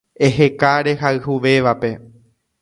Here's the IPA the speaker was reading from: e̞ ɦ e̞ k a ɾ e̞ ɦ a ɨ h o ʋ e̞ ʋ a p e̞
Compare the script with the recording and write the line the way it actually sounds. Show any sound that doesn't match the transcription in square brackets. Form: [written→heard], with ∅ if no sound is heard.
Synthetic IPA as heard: e̞ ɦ e̞ k a ɾ e̞ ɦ a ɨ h [o→u] ʋ e̞ ʋ a p e̞